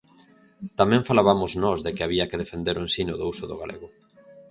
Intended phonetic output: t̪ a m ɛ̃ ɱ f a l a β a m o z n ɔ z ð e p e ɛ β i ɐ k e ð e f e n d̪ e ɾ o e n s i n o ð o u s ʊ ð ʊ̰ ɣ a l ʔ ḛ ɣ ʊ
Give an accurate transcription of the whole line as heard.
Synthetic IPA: t̪ a m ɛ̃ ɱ f a l a β a m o z n ɔ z ð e k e a β i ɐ k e ð e f e n d̪ e ɾ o e n s i n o ð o u s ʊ ð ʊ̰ ɣ a l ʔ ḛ ɣ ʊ

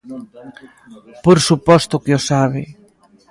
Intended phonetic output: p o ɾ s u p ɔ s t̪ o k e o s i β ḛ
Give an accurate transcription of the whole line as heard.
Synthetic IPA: p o ɾ s u p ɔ s t̪ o k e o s a β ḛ

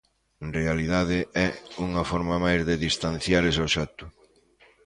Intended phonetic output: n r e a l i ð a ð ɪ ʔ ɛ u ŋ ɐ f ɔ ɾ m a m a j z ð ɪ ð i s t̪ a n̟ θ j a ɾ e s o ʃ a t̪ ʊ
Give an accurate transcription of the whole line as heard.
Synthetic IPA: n r e a l i ð a ð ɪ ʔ ɛ u ŋ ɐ f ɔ ɾ m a m a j z ð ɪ ð i s t̪ a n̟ θ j a ɾ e s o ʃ a t̪ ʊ

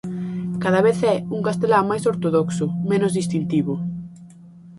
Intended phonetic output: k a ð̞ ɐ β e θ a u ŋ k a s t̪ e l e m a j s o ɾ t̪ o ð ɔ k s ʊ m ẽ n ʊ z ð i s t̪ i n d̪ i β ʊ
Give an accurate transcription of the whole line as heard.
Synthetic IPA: k a ð̞ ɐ β e θ ɛ u ŋ k a s t̪ e l a m a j s o ɾ t̪ o ð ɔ k s ʊ m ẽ n ʊ z ð i s t̪ i n t̪ i β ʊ

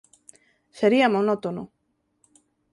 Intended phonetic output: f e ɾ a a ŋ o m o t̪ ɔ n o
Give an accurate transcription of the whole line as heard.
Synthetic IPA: s e ɾ i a m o n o t̪ o n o

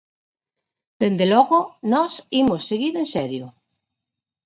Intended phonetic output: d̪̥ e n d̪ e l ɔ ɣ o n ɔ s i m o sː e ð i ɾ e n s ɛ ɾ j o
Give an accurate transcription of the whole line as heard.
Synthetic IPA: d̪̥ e n d̪ e l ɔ ɣ o n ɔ s i m o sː e ɣ i ɾ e n s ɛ ɾ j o

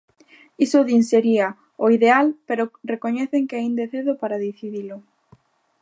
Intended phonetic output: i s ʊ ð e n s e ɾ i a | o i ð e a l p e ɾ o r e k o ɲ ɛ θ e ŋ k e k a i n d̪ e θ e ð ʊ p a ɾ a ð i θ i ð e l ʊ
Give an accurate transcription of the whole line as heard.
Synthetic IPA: i s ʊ ð i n s e ɾ i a | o i ð e a l p e ɾ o r e k o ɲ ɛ θ e ŋ k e a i n d̪ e θ e ð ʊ p a ɾ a ð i θ i ð i l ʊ

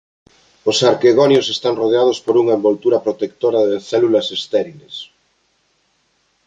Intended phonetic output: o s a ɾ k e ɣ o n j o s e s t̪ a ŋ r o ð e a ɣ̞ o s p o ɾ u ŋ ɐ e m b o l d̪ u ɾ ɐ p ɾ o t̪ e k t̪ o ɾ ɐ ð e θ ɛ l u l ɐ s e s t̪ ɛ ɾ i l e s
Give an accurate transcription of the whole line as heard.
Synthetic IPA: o s a ɾ k e ɣ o n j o s e s t̪ a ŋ r o ð e a ð̞ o s p o ɾ u ŋ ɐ e m b o l t̪ u ɾ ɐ p ɾ o t̪ e k t̪ o ɾ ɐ ð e θ ɛ l u l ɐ s e s t̪ ɛ ɾ i l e s

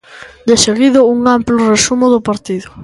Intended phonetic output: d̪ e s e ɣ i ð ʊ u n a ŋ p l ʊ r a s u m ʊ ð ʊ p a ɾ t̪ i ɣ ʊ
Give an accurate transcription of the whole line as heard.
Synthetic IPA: d̪ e s e ɣ i ð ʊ u ŋ a m p l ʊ r e s u m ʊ ð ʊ p a ɾ t̪ i ð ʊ

